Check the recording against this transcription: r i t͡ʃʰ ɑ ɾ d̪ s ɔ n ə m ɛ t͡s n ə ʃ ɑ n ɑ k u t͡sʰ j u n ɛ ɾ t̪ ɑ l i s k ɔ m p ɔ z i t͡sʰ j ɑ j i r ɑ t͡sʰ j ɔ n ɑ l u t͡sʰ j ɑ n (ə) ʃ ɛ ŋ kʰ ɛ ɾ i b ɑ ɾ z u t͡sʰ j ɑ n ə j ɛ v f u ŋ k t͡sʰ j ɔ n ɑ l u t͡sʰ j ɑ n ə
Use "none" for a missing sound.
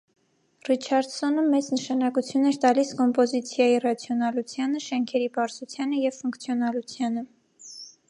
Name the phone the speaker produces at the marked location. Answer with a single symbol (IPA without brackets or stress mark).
ə